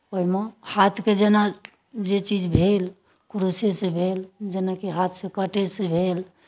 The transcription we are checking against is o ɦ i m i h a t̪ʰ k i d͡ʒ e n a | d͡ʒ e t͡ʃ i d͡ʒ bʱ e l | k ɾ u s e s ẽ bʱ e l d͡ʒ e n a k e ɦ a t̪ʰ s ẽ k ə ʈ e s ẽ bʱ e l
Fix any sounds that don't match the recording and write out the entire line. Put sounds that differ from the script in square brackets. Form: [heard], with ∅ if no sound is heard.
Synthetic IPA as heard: o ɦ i m [e] h a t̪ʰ k [e] d͡ʒ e n a | d͡ʒ e t͡ʃ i d͡ʒ bʱ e l | k ɾ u s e s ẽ bʱ e l d͡ʒ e n a k e ɦ a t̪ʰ s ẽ k ə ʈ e s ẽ bʱ e l